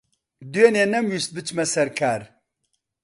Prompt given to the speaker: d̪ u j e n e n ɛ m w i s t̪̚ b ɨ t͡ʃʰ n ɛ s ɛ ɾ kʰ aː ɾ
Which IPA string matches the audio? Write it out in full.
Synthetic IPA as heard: d̪ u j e n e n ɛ m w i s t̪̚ b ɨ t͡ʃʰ m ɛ s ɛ ɾ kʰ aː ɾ